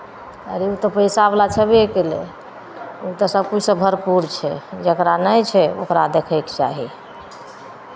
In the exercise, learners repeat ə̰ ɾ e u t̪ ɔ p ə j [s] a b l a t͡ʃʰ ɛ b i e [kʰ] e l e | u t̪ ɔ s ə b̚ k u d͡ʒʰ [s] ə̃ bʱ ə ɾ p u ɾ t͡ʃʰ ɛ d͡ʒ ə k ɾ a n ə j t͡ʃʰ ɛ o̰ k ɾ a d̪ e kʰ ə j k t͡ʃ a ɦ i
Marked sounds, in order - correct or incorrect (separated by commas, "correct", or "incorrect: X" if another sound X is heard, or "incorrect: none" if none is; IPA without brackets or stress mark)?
correct, incorrect: k, correct